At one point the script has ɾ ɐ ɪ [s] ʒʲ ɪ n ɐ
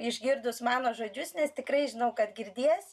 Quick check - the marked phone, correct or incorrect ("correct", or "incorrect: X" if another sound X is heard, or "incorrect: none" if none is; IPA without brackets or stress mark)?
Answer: incorrect: none